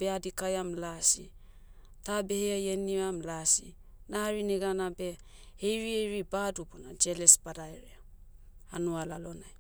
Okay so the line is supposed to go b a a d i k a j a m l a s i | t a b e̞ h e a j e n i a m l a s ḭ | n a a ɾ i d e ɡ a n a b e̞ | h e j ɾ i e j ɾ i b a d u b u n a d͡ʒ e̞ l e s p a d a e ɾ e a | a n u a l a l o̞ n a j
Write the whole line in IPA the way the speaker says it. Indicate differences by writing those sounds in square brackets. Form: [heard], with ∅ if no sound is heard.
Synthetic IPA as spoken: b [e] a d i k a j a m l a s i | t a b e̞ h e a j e n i a m l a s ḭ | n a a ɾ i [n] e ɡ a n a b e̞ | h e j ɾ i e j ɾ i b a d u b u n a d͡ʒ e̞ l e s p a d a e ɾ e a | a n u a l a l o̞ n a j